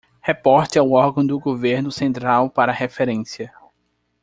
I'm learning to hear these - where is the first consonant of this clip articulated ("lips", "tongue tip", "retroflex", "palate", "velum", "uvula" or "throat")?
throat